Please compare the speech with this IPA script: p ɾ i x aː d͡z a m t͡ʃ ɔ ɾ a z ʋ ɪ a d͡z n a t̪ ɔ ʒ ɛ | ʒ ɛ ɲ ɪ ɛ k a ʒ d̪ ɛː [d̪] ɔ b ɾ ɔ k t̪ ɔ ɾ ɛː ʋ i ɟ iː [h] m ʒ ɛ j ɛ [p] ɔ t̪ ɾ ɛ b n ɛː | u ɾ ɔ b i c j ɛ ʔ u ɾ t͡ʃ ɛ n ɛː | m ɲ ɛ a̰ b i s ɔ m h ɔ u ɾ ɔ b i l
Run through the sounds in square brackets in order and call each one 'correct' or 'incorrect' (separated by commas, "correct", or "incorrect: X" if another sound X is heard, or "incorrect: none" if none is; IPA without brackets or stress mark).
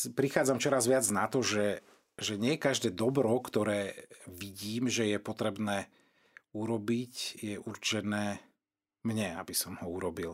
correct, incorrect: none, correct